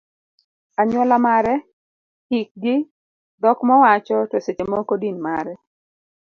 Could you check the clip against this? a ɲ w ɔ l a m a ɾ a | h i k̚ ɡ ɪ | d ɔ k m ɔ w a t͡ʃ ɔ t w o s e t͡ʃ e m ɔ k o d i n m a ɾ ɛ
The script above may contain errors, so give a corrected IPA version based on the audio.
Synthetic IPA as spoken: a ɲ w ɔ l a m a ɾ ɛ | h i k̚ ɡ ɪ | d ɔ k m ɔ w a t͡ʃ ɔ t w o s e t͡ʃ e m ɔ k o d i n m a ɾ ɛ